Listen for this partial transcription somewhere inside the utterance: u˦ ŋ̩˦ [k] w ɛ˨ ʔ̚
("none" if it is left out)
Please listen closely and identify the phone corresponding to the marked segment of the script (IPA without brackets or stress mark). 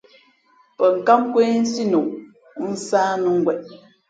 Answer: ɡ